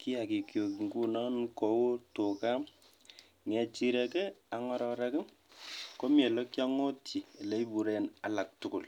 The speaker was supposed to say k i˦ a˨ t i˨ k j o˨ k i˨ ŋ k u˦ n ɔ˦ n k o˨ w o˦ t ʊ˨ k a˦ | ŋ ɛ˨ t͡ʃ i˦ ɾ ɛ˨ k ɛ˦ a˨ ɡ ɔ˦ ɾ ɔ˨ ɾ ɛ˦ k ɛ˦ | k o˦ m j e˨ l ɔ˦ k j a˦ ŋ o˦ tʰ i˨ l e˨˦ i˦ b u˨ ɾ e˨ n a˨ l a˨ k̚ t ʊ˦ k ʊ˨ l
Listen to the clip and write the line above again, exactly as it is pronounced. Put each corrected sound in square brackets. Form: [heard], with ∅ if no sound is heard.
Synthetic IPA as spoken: k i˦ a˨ [k] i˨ k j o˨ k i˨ ŋ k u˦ n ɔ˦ n k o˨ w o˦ t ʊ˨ k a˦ | ŋ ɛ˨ t͡ʃ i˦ ɾ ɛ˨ k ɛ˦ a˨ [ŋ] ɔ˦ ɾ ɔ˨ ɾ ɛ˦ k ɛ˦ | k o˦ m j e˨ l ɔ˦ k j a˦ ŋ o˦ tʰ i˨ l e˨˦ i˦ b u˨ ɾ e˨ n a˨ l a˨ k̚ t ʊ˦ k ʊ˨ l